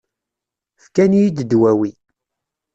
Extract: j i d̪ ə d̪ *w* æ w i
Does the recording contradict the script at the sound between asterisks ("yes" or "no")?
no